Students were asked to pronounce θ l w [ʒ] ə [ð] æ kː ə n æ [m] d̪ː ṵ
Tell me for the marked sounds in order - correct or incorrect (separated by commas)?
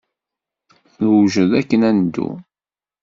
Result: correct, correct, incorrect